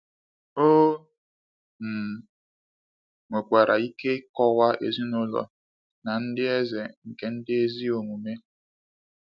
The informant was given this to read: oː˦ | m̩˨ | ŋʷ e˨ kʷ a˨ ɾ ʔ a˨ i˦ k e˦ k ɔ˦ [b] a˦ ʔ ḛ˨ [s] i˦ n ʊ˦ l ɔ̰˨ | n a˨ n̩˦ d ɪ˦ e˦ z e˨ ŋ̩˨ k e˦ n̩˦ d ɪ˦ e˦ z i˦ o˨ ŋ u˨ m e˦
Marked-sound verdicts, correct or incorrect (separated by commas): incorrect, incorrect